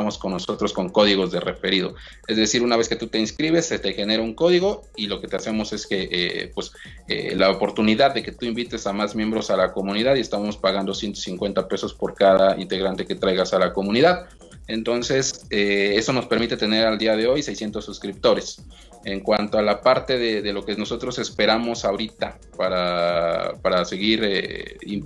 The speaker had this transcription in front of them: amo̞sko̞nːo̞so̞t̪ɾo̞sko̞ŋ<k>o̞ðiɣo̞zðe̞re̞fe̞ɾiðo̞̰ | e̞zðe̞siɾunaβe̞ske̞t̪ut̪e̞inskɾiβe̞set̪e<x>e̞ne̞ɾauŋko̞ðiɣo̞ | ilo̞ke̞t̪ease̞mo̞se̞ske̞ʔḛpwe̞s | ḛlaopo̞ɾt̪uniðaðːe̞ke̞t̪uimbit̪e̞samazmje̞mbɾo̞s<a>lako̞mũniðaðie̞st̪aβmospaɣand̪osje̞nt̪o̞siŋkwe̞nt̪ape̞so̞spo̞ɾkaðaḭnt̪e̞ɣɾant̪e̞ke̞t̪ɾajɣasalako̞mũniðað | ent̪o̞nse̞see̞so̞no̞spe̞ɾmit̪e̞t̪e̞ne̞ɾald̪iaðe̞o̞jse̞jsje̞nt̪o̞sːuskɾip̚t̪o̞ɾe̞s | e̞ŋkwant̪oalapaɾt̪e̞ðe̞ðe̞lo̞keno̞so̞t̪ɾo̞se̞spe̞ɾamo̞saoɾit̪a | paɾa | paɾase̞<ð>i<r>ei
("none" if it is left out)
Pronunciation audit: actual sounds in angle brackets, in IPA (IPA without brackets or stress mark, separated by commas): k, x, a, ɣ, ɾ